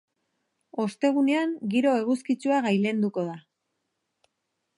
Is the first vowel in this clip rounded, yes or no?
yes